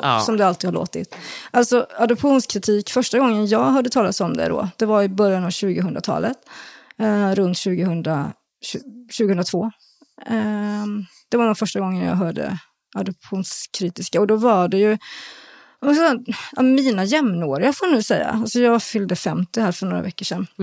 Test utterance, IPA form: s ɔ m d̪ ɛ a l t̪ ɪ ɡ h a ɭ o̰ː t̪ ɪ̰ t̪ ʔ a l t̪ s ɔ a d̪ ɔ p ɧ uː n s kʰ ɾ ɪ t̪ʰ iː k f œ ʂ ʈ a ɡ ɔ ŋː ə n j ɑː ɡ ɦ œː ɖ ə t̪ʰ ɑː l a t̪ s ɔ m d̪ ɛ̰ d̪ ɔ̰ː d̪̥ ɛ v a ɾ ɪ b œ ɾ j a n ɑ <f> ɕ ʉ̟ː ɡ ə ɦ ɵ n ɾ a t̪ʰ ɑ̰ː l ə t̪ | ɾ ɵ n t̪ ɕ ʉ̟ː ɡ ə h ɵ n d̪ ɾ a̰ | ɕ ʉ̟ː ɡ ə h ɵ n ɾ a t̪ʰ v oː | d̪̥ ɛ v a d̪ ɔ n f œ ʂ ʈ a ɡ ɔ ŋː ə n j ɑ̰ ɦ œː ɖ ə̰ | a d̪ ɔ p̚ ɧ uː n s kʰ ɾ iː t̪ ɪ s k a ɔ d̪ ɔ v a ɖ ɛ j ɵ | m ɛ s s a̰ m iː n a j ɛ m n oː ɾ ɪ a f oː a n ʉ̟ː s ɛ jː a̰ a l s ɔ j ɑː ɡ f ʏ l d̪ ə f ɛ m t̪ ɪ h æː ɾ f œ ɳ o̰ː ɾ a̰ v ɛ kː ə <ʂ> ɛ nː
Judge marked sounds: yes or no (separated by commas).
no, yes